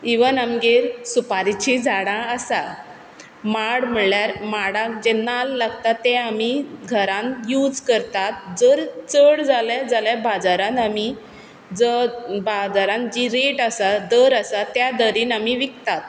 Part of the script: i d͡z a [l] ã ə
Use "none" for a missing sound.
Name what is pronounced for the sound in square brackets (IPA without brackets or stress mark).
ɽ